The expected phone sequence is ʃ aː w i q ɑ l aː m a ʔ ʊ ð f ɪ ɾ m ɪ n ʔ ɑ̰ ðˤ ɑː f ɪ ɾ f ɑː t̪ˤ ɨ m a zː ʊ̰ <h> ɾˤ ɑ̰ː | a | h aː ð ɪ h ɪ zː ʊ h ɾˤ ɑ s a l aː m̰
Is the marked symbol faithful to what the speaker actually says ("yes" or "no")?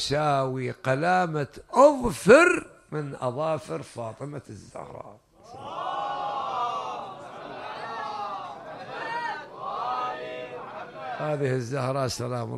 yes